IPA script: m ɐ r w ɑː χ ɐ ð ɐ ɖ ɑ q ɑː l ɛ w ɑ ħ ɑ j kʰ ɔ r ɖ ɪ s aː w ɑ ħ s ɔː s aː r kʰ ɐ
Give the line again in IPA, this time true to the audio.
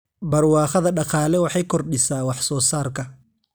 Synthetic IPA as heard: b ɐ r w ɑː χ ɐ ð ɐ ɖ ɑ q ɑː l ɛ w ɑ ħ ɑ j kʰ ɔ r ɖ ɪ s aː w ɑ ħ s ɔː s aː r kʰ ɐ